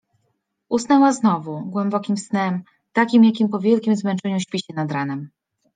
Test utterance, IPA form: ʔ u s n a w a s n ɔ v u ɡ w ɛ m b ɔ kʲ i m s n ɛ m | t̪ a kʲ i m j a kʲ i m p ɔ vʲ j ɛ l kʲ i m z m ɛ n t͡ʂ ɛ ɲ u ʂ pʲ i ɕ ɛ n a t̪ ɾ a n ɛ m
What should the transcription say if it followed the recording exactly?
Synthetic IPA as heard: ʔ u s n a w a z n ɔ v u ɡ w ɛ m b ɔ kʲ i m s n ɛ m | t̪ a kʲ i m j a kʲ i m p ɔ vʲ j ɛ l kʲ i m z m ɛ n t͡ʂ ɛ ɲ u ɕ pʲ i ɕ ɛ n a d̪ ɾ a n ɛ m